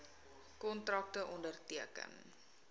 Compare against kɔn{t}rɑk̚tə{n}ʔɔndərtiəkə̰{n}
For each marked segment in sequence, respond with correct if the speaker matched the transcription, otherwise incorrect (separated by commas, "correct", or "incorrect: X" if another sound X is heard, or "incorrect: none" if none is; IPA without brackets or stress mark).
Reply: correct, incorrect: none, correct